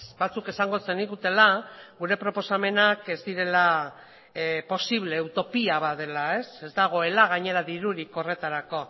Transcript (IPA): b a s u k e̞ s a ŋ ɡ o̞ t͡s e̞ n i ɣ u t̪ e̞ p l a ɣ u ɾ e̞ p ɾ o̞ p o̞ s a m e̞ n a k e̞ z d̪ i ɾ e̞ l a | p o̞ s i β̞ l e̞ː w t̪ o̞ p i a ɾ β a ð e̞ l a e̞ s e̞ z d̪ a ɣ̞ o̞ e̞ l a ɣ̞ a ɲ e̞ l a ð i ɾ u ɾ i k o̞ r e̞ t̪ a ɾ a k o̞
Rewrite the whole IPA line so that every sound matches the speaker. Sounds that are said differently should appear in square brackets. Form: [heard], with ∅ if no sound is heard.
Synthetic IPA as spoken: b a [t͡s] u k e̞ s a ŋ ɡ o̞ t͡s e̞ n i ɣ u t̪ e̞ [∅] l a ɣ u ɾ e̞ p ɾ o̞ p o̞ s a m e̞ n a k e̞ z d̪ i ɾ e̞ l a | p o̞ s i β̞ l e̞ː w t̪ o̞ p i a [∅] β a ð e̞ l a e̞ s e̞ z d̪ a ɣ̞ o̞ e̞ l a ɣ̞ a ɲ e̞ [ɾ] a ð i ɾ u ɾ i k o̞ r e̞ t̪ a ɾ a k o̞

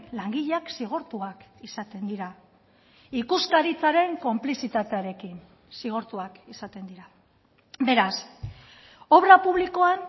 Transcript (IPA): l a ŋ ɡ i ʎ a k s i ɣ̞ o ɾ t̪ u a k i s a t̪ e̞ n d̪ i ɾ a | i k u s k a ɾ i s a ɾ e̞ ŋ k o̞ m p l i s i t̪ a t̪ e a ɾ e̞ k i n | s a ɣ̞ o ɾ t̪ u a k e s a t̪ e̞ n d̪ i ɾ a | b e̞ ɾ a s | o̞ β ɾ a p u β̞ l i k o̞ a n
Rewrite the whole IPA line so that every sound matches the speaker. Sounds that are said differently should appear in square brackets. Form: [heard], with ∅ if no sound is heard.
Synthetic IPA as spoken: l a ŋ ɡ i ʎ a k s i ɣ̞ o ɾ t̪ u a k i s a t̪ e̞ n d̪ i ɾ a | i k u s k a ɾ i [t͡s] a ɾ e̞ ŋ k o̞ m p l i s i t̪ a t̪ e a ɾ e̞ k i n | s [i] ɣ̞ o ɾ t̪ u a k [i] s a t̪ e̞ n d̪ i ɾ a | b e̞ ɾ a s | o̞ β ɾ a p u β̞ l i k o̞ a n

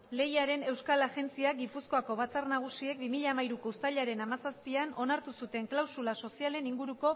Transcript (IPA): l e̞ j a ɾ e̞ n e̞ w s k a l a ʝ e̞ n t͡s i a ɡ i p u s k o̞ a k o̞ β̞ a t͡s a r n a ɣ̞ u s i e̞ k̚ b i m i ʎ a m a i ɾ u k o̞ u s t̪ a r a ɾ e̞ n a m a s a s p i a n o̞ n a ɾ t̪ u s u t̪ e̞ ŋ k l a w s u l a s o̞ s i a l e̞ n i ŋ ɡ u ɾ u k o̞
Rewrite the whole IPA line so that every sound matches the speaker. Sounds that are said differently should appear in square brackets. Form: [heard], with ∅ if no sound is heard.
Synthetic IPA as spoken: l e̞ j a ɾ e̞ n e̞ w s k a l a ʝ e̞ n t͡s i a ɡ i p u s k o̞ a k o̞ β̞ a t͡s a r n a ɣ̞ u s i e̞ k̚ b i m i ʎ a m a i ɾ u k o̞ u s t̪ a [ʎ] a ɾ e̞ n a m a s a s p i a n o̞ n a ɾ t̪ u s u t̪ e̞ ŋ k l a w s u l a s o̞ s i a l e̞ n i ŋ ɡ u ɾ u k o̞

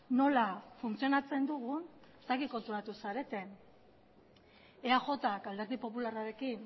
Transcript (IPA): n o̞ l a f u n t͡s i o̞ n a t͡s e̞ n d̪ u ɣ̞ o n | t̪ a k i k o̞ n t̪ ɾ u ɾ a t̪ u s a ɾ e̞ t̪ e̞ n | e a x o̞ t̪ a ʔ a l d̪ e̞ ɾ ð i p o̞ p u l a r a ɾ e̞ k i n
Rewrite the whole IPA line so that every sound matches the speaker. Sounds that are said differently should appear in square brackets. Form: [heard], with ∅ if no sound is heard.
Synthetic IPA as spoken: n o̞ l a f u n t͡s i o̞ n a t͡s e̞ n d̪ u ɣ̞ [u] n | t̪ a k i k o̞ n t̪ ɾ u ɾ a t̪ u s a ɾ e̞ t̪ e̞ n | e a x o̞ t̪ a [k] a l d̪ e̞ ɾ ð i p o̞ p u l a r a ɾ e̞ k i n

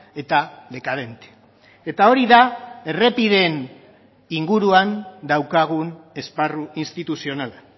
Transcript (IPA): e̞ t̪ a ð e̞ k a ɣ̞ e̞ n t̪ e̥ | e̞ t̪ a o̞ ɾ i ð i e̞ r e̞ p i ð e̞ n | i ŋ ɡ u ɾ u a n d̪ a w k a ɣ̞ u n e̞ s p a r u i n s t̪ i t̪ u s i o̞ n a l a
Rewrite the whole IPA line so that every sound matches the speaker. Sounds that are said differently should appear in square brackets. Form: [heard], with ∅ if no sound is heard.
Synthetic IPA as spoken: e̞ t̪ a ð e̞ k a [ð̞] e̞ n t̪ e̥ | e̞ t̪ a o̞ ɾ i ð [a] e̞ r e̞ p i ð e̞ n | i ŋ ɡ u ɾ u a n d̪ a w k a ɣ̞ u n e̞ s p a r u i n s t̪ i t̪ u s i o̞ n a l a

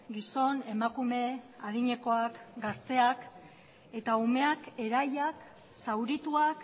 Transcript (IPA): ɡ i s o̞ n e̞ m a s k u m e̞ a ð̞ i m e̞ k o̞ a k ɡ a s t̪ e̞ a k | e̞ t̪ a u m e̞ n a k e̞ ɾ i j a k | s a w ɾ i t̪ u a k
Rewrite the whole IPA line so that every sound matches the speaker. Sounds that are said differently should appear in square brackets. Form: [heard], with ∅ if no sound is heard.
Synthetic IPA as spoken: ɡ i s o̞ n e̞ m a [∅] k u m e̞ a ð̞ i [ɲ] e̞ k o̞ a k ɡ a s t̪ e̞ a k | e̞ t̪ a u m e̞ [∅] a k e̞ ɾ [a] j a k | s a w ɾ i t̪ u a k

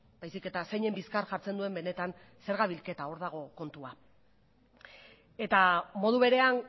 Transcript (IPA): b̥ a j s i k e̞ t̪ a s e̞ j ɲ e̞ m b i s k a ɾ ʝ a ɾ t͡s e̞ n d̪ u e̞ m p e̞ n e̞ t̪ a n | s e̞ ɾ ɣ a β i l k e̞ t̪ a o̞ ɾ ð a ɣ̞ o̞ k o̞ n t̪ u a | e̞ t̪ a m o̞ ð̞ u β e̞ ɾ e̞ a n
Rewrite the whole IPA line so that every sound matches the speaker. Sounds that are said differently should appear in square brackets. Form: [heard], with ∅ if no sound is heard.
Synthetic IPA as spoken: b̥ a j s i k e̞ t̪ a s e̞ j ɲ e̞ m b i s k a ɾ ʝ a ɾ t͡s e̞ n d̪ u e̞ m [b] e̞ n e̞ t̪ a n | s e̞ ɾ ɣ a β i l k e̞ t̪ a o̞ ɾ ð a ɣ̞ o̞ k o̞ n t̪ u a | e̞ t̪ a m o̞ ð̞ u β e̞ ɾ e̞ a n

